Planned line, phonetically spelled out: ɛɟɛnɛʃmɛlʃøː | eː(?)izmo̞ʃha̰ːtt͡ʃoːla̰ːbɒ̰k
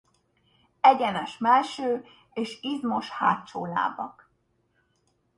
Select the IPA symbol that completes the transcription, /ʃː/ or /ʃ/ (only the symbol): ʃ